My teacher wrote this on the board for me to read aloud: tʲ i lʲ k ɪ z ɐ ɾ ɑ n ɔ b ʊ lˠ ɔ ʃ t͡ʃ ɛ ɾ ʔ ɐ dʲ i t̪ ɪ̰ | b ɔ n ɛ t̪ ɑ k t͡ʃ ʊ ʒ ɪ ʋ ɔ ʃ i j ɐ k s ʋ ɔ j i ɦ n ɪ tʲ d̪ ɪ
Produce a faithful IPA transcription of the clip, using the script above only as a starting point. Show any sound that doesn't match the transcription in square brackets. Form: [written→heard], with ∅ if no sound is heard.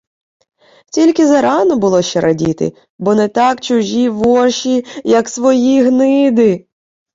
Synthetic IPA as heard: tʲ i lʲ k ɪ z ɐ ɾ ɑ n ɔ b ʊ lˠ ɔ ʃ t͡ʃ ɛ ɾ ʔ ɐ dʲ i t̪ ɪ̰ | b ɔ n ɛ t̪ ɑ k t͡ʃ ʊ ʒ [ɪ→i] ʋ ɔ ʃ i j ɐ k s ʋ ɔ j i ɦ n ɪ [tʲ→∅] d̪ ɪ

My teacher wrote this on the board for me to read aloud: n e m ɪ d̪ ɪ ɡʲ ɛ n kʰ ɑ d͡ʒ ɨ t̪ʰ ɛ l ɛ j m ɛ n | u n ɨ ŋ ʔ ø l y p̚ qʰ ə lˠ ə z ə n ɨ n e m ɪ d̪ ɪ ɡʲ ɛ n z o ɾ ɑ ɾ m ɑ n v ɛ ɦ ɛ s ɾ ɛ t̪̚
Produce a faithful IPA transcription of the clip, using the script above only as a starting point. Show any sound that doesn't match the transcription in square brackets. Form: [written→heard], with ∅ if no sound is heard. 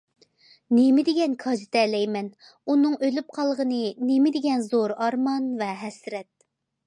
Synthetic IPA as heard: n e m ɪ d̪ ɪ ɡʲ ɛ n kʰ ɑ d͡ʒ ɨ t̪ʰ ɛ l ɛ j m ɛ n | u n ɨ ŋ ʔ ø l y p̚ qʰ [ə→ɑ] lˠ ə [z→ʁ] ə n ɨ n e m ɪ d̪ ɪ ɡʲ ɛ n z o ɾ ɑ ɾ m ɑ n v ɛ ɦ ɛ s ɾ ɛ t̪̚

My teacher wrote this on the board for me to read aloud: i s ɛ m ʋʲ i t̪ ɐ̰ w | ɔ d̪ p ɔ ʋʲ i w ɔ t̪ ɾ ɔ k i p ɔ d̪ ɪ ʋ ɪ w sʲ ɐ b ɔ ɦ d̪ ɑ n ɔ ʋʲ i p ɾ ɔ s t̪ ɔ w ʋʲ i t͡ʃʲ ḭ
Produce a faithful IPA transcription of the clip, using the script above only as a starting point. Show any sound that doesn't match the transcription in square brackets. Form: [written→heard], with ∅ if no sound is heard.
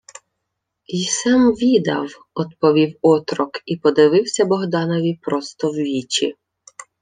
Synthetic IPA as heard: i s ɛ m ʋʲ i [t̪→d̪] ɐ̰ w | ɔ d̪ p ɔ ʋʲ i w ɔ t̪ ɾ ɔ k i p ɔ d̪ ɪ ʋ ɪ w sʲ ɐ b ɔ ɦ d̪ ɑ n ɔ ʋʲ i p ɾ ɔ s t̪ ɔ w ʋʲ i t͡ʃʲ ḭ

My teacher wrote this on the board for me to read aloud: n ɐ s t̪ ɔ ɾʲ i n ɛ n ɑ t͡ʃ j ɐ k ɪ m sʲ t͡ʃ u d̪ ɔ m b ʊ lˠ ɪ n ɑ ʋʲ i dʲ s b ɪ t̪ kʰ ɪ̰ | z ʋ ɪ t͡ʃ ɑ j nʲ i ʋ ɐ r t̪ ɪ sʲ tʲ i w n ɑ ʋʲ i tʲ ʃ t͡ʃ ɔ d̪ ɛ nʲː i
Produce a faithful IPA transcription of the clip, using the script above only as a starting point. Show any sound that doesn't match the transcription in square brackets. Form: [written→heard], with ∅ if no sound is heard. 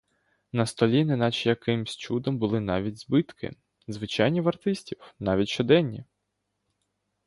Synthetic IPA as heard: n ɐ s t̪ ɔ [ɾʲ→lʲ] i n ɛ n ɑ t͡ʃ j ɐ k ɪ m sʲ t͡ʃ u d̪ ɔ m b ʊ lˠ ɪ n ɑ ʋʲ i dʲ [s→z] b ɪ t̪ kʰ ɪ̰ | z ʋ ɪ t͡ʃ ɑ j nʲ i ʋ ɐ r t̪ ɪ sʲ tʲ i w n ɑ ʋʲ i tʲ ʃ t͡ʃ ɔ d̪ ɛ nʲː i

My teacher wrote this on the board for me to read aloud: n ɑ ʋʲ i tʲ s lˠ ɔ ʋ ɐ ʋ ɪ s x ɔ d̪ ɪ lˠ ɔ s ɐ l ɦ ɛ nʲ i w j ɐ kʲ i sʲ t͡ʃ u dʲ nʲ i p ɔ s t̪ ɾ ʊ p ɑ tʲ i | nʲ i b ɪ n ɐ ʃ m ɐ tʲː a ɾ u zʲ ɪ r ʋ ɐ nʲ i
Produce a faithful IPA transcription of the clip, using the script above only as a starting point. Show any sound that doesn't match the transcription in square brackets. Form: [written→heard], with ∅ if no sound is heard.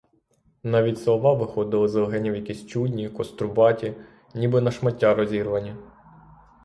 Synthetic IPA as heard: n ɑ ʋʲ i tʲ s lˠ ɔ ʋ [ɐ→ɑ] ʋ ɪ [s→∅] x ɔ d̪ ɪ lˠ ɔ [s→z] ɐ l ɦ ɛ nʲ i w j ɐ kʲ i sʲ t͡ʃ u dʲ nʲ i [p→k] ɔ s t̪ ɾ ʊ [p→b] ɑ tʲ i | nʲ i b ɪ n ɐ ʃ m ɐ tʲː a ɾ [u→ɔ] zʲ [ɪ→i] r ʋ ɐ nʲ i

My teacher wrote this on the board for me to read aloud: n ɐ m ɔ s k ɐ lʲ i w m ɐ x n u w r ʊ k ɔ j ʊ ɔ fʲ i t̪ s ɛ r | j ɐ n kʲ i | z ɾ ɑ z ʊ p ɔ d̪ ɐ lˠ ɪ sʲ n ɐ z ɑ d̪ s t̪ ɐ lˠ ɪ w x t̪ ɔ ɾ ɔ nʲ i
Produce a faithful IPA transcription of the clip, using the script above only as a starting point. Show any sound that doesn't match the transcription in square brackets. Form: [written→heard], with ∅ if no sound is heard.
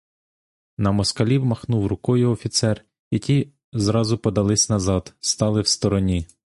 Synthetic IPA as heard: n ɐ m ɔ s k ɐ lʲ i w m ɐ x n u w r ʊ k ɔ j ʊ ɔ fʲ i t̪ s ɛ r | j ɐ [n→∅] kʲ i | z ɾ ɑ z ʊ p ɔ d̪ ɐ lˠ ɪ sʲ n ɐ z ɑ d̪ s t̪ [ɐ→ɑ] lˠ ɪ w [x→s] t̪ ɔ ɾ ɔ nʲ i

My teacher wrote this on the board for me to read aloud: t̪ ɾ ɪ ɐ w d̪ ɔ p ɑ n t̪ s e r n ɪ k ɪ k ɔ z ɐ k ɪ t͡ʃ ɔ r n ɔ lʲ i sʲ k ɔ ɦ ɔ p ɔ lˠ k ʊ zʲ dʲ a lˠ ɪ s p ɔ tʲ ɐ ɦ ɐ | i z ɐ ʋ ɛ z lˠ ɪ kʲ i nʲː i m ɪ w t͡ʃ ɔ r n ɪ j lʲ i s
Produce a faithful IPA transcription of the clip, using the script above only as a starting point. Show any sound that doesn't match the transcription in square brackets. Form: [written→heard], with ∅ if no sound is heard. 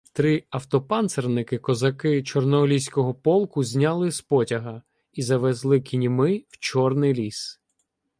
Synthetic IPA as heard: t̪ ɾ ɪ ɐ w [d̪→t̪] ɔ p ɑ n t̪ s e r n ɪ k ɪ k ɔ z ɐ k ɪ t͡ʃ ɔ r n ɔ lʲ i sʲ k ɔ ɦ ɔ p ɔ lˠ k ʊ zʲ [dʲ→nʲ] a lˠ ɪ s p ɔ tʲ ɐ ɦ ɐ | i z ɐ ʋ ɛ z lˠ ɪ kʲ i [nʲː→nʲ] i m ɪ w t͡ʃ ɔ r n ɪ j lʲ i s

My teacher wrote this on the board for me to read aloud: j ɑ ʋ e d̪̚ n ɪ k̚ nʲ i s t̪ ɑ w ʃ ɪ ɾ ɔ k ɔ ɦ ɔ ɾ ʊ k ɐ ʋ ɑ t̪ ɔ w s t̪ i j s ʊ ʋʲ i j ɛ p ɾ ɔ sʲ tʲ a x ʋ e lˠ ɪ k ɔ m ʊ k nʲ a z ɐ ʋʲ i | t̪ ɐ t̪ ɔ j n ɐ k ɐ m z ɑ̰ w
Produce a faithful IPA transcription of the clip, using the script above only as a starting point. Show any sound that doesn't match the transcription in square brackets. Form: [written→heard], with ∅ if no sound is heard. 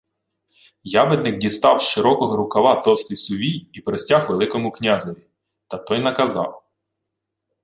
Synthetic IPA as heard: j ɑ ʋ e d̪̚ n ɪ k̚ [nʲ→dʲ] i s t̪ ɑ w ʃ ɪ ɾ ɔ k ɔ ɦ ɔ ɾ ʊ k ɐ ʋ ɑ t̪ ɔ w s t̪ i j s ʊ ʋʲ i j [ɛ→i] p ɾ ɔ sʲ tʲ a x ʋ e lˠ ɪ k ɔ m ʊ k nʲ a z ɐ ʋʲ i | t̪ ɐ t̪ ɔ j n ɐ k ɐ [m→∅] z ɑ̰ w

